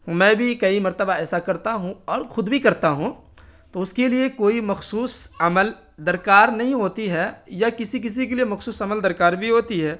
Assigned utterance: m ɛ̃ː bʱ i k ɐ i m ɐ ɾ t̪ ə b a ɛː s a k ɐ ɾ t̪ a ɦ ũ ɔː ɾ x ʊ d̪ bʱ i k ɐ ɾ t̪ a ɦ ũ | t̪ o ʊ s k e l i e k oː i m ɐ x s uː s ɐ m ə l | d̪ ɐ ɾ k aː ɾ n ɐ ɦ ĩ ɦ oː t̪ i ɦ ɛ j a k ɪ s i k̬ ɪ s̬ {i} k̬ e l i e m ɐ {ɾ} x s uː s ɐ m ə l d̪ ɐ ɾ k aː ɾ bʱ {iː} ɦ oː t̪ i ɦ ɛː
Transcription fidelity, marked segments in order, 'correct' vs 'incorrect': correct, incorrect: none, incorrect: i

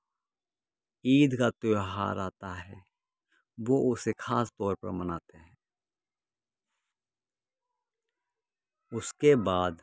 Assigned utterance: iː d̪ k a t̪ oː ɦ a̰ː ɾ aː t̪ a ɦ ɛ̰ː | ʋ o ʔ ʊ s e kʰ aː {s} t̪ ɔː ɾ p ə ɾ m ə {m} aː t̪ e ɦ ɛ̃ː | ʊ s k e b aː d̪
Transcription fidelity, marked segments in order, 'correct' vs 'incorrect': correct, incorrect: n

